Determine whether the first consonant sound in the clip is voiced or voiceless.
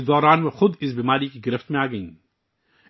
voiced